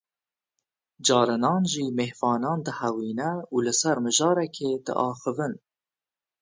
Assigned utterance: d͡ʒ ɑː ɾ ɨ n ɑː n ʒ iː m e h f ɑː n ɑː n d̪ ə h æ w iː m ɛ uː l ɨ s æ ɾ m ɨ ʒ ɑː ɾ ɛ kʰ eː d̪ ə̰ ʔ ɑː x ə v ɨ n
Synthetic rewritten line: d͡ʒ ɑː ɾ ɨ n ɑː n ʒ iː m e h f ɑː n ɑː n d̪ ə h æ w iː n ɛ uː l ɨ s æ ɾ m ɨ ʒ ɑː ɾ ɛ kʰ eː d̪ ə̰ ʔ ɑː x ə v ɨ n